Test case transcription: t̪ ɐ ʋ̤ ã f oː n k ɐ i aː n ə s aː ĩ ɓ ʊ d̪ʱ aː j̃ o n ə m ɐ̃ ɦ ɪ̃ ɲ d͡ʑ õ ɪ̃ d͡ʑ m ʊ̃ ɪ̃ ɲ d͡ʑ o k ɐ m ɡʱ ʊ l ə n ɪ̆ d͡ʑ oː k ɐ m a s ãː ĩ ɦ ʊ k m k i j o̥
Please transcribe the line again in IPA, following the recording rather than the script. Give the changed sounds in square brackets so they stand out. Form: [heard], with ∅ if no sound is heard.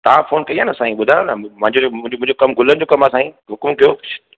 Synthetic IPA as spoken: t̪ ɐ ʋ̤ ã f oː n k ɐ i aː n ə s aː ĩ ɓ ʊ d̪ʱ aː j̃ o n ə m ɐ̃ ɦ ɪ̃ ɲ d͡ʑ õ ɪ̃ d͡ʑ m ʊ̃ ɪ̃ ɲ d͡ʑ o k ɐ m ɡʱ ʊ l ə n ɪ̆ d͡ʑ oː k ɐ m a s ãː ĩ ɦ ʊ k m k i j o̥